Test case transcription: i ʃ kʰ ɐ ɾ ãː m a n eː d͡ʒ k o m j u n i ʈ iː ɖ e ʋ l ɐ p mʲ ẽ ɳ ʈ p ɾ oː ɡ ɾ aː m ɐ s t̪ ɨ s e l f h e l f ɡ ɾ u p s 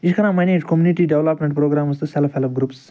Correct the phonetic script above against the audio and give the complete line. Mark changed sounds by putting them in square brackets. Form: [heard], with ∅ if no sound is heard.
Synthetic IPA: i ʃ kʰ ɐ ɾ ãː m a n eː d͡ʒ k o m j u n i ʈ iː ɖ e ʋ l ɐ p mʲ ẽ ɳ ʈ p ɾ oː ɡ ɾ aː m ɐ s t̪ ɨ s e l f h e l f ɡ ɾ u p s